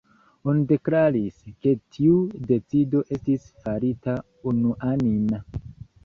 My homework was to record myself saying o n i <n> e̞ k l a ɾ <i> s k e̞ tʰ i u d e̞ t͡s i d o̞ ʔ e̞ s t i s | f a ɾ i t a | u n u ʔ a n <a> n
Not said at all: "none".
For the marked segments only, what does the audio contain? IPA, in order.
d, i, i

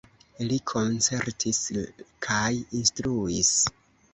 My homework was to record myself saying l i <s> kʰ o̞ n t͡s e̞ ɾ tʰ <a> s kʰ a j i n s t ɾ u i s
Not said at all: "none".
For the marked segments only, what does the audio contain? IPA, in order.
none, i

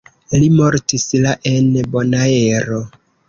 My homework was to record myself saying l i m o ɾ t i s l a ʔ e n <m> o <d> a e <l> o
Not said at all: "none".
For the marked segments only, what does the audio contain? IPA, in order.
b, n, ɾ

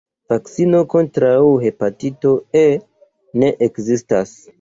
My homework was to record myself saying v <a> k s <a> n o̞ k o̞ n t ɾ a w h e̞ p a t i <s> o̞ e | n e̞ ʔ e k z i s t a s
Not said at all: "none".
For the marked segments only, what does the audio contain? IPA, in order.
a, i, t

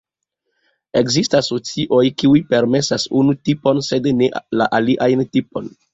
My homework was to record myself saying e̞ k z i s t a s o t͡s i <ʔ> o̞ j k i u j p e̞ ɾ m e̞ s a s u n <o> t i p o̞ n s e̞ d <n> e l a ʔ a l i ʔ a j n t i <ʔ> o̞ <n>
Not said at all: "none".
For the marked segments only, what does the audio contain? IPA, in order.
ʔ, u, n, p, n

